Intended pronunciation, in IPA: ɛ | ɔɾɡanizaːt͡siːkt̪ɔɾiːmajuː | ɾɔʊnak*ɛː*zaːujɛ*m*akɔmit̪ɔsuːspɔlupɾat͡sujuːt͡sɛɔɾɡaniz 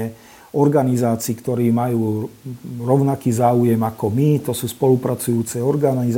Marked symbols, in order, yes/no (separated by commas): no, yes